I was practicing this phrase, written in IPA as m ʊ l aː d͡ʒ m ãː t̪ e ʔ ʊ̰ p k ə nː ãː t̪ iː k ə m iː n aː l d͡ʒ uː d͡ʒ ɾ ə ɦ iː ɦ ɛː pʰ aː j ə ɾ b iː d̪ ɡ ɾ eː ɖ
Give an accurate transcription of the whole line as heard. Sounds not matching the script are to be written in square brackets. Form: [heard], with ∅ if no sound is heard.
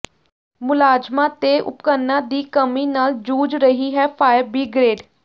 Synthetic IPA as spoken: m ʊ l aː d͡ʒ m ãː t̪ e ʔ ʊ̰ p k ə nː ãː [d̪] iː k ə m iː n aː l d͡ʒ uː d͡ʒ ɾ ə ɦ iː ɦ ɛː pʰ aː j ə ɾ b iː [∅] ɡ ɾ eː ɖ